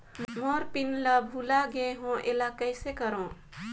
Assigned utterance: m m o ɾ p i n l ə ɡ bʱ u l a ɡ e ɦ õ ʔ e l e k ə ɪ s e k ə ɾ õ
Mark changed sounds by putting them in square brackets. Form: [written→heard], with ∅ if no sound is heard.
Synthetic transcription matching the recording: m m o ɾ p i n l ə [ɡ→∅] bʱ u l a ɡ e ɦ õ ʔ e l [e→a] k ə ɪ s e k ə ɾ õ